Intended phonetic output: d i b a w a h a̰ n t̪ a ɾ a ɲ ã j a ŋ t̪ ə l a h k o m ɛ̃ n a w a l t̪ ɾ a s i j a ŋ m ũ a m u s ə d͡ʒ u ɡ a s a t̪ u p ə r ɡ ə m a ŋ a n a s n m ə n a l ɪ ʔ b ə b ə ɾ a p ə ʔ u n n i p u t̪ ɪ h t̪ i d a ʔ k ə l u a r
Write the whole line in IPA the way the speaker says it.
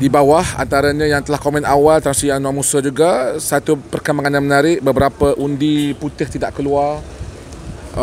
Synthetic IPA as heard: d i b a w a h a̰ n t̪ a ɾ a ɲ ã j a ŋ t̪ ə l a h k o m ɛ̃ n a w a l t̪ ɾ a s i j a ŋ n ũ a m u s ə d͡ʒ u ɡ a s a t̪ u p ə r k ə m a ŋ a n a n m ə n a ɾ ɪ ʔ b ə b ə ɾ a p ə ʔ u n d i p u t̪ ɪ h t̪ i d a ʔ k ə l u a r